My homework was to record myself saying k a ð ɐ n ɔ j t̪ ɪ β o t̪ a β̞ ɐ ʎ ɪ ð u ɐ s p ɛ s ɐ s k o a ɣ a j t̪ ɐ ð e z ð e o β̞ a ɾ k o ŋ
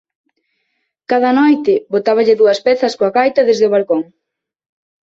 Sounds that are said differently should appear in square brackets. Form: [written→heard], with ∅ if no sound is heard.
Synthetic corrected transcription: k a ð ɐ n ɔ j t̪ ɪ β o t̪ a β̞ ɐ ʎ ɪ ð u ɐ s p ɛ [s→θ] ɐ s k o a ɣ a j t̪ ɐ ð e z ð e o β̞ a [ɾ→l] k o ŋ